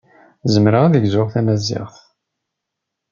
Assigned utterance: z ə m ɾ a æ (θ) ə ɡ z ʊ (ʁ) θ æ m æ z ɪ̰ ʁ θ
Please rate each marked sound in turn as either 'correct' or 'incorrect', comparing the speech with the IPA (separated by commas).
incorrect, correct